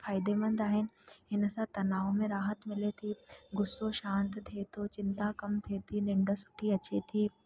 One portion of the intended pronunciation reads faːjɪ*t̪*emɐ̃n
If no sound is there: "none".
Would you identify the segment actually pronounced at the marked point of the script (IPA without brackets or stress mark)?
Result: d̪